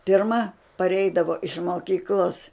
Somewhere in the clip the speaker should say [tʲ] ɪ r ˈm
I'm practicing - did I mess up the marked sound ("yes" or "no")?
yes